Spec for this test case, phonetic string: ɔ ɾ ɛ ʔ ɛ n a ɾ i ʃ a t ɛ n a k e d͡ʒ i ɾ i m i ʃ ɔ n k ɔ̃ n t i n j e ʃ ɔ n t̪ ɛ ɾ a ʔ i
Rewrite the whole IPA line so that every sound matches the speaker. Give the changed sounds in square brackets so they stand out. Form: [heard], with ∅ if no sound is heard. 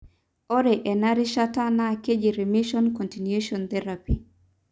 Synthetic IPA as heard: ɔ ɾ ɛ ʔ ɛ n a ɾ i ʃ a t [a] n a k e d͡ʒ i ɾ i m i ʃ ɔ n k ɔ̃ n t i n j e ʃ ɔ n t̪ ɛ ɾ a [p] i